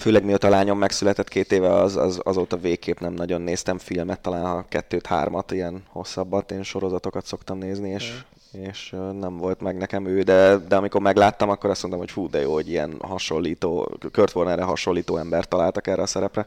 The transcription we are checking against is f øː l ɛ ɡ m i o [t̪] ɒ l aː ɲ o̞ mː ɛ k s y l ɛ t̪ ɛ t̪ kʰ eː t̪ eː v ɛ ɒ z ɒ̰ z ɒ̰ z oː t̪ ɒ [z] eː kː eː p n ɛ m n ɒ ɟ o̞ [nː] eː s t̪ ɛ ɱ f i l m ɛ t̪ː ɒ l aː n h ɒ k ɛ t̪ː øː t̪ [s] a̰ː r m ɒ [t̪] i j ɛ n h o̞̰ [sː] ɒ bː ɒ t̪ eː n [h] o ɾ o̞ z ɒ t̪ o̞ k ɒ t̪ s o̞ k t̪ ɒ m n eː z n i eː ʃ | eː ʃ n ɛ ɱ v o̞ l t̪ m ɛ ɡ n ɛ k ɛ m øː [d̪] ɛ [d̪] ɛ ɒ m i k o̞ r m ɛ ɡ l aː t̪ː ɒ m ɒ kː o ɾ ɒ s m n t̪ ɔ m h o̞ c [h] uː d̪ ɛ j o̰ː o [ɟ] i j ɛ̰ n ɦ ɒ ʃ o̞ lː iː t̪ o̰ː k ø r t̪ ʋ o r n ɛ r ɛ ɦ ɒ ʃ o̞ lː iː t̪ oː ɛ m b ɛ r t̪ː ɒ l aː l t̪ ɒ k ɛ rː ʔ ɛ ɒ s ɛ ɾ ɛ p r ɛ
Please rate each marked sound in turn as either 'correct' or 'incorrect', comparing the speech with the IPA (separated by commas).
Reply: correct, incorrect, correct, incorrect, correct, correct, incorrect, correct, correct, incorrect, correct